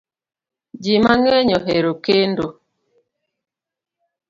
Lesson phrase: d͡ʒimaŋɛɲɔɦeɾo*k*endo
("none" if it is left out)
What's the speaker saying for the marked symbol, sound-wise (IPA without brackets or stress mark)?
k